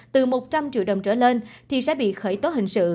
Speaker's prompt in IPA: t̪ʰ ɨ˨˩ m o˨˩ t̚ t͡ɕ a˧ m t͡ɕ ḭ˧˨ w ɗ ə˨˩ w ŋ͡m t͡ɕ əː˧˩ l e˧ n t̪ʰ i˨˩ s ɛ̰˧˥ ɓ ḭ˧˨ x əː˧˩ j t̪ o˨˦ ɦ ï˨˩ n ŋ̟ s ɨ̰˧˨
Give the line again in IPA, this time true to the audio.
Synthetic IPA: t̪ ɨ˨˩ m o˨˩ t̚ t͡ɕ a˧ m t͡ɕ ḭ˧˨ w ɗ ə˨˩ w ŋ͡m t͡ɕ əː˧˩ l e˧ n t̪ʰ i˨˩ s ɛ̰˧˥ ɓ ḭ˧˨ x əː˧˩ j t̪ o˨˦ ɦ ï˨˩ ŋ̟ s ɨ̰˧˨